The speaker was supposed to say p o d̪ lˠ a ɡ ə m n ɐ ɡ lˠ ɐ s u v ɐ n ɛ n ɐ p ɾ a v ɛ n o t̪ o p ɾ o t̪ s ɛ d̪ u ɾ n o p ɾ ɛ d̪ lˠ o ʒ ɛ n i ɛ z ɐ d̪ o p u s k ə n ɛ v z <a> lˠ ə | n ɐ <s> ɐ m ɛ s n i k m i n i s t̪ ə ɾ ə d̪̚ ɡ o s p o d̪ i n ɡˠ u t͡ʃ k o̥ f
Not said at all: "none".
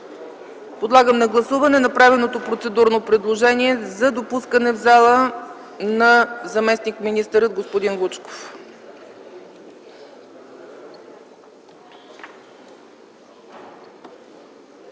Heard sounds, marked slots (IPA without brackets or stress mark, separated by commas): a, z